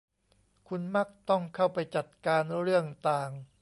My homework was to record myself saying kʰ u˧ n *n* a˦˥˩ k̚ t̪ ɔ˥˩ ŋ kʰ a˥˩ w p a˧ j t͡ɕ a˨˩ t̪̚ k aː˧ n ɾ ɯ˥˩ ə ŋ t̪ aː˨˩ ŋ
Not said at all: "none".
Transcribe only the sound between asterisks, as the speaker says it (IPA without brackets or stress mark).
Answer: m